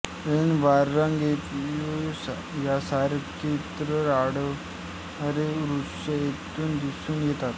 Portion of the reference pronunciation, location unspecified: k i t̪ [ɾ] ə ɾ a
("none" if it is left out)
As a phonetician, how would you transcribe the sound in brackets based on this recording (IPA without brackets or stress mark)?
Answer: ɾ